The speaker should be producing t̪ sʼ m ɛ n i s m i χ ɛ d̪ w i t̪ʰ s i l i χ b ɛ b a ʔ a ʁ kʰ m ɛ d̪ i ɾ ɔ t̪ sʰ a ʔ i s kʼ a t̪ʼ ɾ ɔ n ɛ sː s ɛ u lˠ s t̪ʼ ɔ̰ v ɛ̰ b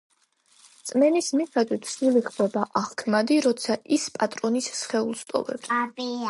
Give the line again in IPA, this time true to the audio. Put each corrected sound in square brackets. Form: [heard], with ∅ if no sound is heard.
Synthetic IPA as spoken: t̪ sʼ m ɛ n i s m i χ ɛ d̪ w i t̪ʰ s i l i χ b ɛ b a ʔ a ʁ kʰ m [a] d̪ i ɾ ɔ t̪ sʰ a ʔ i s [pʼ] a t̪ʼ ɾ ɔ n [i] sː [χ] ɛ u lˠ s t̪ʼ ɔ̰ v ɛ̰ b

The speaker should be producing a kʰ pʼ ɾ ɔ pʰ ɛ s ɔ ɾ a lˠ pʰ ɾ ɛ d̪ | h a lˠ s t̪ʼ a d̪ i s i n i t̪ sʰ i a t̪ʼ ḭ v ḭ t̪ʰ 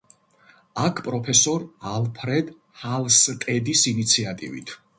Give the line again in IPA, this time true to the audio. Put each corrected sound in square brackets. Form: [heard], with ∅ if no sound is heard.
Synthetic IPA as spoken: a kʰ pʼ ɾ ɔ pʰ ɛ s ɔ ɾ a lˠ pʰ ɾ ɛ d̪ | h a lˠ s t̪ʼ [ɛ] d̪ i s i n i t̪ sʰ i a t̪ʼ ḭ v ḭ t̪ʰ

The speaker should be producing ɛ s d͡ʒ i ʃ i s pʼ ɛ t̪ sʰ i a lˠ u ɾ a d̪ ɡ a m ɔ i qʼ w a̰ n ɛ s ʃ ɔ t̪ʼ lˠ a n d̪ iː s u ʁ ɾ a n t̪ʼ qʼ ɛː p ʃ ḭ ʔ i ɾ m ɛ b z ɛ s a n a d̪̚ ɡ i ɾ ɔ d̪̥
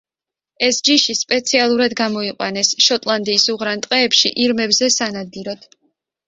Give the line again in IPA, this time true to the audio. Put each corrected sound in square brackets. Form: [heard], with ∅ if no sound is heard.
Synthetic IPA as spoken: ɛ s d͡ʒ i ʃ i s pʼ ɛ t̪ sʰ i a lˠ u ɾ a d̪ ɡ a m ɔ i qʼ w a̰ n ɛ s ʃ ɔ t̪ʼ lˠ a n d̪ iː s u ʁ ɾ a n t̪ʼ qʼ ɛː p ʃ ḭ ʔ i ɾ m ɛ b z ɛ s a n a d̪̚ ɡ i ɾ ɔ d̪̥

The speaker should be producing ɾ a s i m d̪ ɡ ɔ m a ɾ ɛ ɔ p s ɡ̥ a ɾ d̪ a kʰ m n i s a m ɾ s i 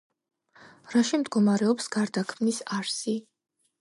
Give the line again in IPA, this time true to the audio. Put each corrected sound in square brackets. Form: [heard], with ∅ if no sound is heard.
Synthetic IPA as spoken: ɾ a [ʃ] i m d̪ ɡ ɔ m a ɾ ɛ ɔ p s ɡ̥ a ɾ d̪ a kʰ m n i s a [∅] ɾ s i

